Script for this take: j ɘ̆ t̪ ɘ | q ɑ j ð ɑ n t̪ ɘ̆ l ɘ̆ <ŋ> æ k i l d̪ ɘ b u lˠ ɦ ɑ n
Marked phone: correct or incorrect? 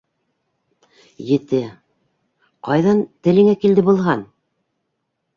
correct